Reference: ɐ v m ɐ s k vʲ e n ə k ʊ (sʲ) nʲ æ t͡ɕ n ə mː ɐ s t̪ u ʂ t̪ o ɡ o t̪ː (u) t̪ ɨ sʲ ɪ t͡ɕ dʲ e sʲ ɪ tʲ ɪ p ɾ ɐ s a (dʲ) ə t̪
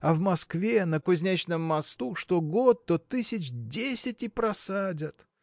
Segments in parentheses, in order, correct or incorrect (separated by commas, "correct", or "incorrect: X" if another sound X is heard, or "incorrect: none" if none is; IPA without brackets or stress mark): incorrect: zʲ, incorrect: o, correct